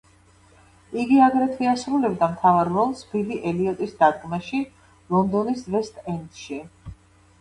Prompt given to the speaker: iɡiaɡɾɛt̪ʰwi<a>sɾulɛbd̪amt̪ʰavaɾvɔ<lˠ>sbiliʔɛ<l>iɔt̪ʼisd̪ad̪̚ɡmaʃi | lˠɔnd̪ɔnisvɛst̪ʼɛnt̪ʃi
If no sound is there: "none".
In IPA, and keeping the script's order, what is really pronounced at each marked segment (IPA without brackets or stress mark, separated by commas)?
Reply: a, lˠ, l